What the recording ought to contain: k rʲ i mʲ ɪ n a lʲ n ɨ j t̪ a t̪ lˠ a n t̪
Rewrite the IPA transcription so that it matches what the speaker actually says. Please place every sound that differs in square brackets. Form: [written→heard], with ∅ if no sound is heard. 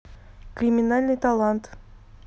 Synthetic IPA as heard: k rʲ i mʲ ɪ n a lʲ n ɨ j t̪ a [t̪→∅] lˠ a n t̪